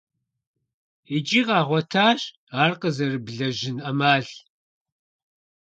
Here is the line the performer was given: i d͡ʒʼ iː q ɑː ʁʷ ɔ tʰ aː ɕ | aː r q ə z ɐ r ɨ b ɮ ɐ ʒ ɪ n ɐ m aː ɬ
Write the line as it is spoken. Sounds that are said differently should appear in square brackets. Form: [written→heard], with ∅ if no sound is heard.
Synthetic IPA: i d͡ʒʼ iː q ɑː ʁʷ ɔ tʰ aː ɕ | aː r q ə z ɐ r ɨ b ɮ ɐ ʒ ɪ n ɐ m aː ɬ